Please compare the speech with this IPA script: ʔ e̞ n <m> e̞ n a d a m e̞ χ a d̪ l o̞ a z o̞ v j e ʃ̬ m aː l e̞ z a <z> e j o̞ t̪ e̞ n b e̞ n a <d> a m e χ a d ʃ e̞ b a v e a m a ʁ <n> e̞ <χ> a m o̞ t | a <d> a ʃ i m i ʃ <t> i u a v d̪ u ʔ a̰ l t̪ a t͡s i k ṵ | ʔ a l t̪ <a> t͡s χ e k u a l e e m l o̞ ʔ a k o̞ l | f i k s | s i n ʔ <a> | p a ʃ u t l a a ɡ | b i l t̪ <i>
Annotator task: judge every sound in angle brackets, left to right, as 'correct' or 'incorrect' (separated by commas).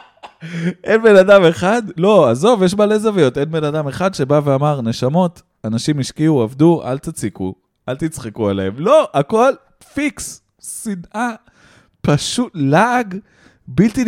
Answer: incorrect, incorrect, correct, correct, incorrect, incorrect, incorrect, incorrect, correct, correct